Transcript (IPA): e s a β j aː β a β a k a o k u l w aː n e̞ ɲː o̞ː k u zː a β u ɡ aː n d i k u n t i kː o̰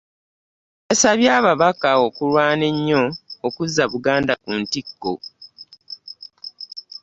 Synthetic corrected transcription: e s a β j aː β a β a k a o k u l w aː n e̞ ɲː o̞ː k u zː a β u ɡ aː n d a k u n t i kː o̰